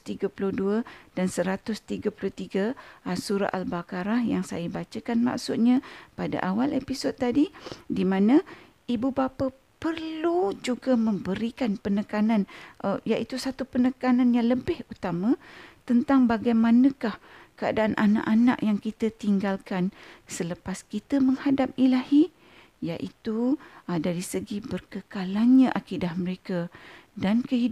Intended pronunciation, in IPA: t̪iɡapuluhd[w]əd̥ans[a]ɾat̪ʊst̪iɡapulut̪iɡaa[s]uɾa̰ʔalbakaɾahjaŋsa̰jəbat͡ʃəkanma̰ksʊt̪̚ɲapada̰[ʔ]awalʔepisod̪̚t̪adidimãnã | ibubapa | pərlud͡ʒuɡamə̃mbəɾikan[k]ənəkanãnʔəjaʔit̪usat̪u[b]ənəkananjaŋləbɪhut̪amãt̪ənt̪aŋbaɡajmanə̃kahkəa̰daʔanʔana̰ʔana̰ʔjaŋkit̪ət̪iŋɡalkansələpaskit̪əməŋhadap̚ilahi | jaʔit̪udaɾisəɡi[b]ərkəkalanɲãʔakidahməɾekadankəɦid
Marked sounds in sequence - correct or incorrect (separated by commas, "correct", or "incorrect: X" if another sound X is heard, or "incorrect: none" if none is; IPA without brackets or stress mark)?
incorrect: u, incorrect: ə, correct, correct, incorrect: p, incorrect: p, correct